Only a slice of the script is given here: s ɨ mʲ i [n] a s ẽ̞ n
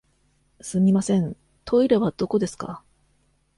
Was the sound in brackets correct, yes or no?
no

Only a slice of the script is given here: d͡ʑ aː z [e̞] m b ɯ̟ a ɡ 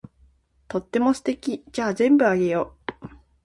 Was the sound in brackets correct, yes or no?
no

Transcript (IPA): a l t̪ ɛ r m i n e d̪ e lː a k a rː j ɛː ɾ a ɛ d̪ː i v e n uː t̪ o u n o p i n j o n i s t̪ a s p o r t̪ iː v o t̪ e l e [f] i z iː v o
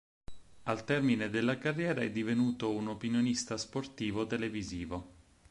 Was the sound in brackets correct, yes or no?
no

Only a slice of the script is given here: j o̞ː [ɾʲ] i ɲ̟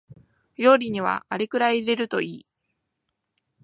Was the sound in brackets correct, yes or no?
yes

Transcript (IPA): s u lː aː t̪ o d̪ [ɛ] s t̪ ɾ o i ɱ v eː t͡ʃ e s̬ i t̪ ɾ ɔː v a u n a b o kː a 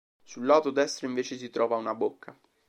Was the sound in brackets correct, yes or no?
yes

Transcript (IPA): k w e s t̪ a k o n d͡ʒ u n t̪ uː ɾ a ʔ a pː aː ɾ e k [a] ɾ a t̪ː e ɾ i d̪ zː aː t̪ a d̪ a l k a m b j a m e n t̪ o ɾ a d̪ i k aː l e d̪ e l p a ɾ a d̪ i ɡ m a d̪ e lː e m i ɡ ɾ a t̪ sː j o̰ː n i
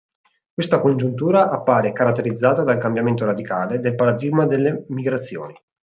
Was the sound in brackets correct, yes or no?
yes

